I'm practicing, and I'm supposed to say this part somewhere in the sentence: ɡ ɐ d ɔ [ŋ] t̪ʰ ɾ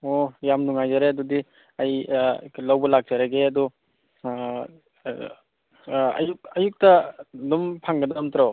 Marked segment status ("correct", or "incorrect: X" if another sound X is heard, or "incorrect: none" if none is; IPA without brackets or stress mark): incorrect: m